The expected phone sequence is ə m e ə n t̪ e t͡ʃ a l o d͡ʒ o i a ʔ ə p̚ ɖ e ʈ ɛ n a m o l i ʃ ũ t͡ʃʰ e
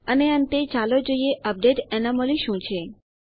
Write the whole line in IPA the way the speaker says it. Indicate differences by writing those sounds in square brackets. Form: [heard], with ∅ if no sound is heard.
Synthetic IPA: ə [n] e ə n t̪ e t͡ʃ a l o d͡ʒ o i [e] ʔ ə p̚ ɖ e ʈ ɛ n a m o l i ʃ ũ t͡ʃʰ e